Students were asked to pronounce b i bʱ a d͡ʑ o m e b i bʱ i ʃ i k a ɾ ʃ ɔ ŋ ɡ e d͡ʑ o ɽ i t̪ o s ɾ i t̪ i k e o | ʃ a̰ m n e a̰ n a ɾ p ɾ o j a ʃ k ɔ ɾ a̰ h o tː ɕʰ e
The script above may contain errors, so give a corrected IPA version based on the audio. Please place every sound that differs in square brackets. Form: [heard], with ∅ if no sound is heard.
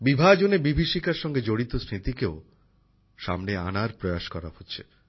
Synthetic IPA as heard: b i bʱ a d͡ʑ o [n] e b i bʱ i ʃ i k a ɾ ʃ ɔ ŋ ɡ e d͡ʑ o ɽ i t̪ o s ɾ i t̪ i k e o | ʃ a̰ m n e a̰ n a ɾ p ɾ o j a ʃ k ɔ ɾ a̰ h o tː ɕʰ e

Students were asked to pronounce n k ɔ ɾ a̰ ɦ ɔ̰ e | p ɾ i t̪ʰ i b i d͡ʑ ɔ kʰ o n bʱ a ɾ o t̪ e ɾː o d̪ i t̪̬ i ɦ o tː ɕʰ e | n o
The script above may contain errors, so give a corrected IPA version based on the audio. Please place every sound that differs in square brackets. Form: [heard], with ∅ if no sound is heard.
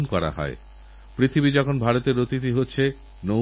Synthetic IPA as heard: n k ɔ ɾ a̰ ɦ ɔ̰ e | p ɾ i t̪ʰ i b i d͡ʑ ɔ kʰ o n bʱ a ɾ o t̪ e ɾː o [t̪] i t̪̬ i ɦ o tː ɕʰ e | n o

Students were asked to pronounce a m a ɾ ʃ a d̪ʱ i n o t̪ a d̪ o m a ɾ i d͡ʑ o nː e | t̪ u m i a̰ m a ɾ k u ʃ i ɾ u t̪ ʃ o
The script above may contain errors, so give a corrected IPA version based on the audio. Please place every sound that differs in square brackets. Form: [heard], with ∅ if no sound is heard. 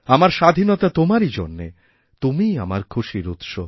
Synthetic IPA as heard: a m a ɾ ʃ a d̪ʱ i n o t̪ a [t̪] o m a ɾ i d͡ʑ o nː e | t̪ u m i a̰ m a ɾ [kʰ] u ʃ i ɾ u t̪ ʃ o

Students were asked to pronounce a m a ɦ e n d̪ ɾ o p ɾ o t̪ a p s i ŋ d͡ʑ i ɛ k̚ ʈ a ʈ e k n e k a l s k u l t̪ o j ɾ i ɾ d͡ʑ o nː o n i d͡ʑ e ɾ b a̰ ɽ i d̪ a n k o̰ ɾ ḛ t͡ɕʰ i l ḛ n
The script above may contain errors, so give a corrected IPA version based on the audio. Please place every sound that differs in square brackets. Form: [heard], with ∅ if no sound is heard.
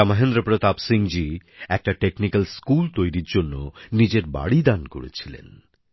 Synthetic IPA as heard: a m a ɦ e n d̪ ɾ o p ɾ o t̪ a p s i ŋ d͡ʑ i ɛ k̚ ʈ a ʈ e k n [i] k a l s k u l t̪ o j ɾ i ɾ d͡ʑ o nː o n i d͡ʑ e ɾ b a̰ ɽ i d̪ a n k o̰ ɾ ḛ t͡ɕʰ i l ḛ n

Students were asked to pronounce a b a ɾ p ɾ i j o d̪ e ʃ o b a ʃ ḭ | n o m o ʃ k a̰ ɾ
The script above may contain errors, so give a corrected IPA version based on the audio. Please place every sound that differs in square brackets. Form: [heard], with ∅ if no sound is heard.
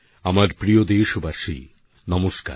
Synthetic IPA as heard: a [m] a ɾ p ɾ i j o d̪ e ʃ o b a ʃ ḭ | n [ɔ] m o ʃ k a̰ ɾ

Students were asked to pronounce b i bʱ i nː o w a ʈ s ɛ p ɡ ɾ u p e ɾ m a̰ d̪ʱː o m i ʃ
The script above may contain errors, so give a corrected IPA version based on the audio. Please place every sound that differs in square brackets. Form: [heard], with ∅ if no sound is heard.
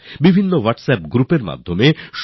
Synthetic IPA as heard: b i bʱ i nː o w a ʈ s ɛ p ɡ ɾ u p e ɾ m a̰ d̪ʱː o m [e] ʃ

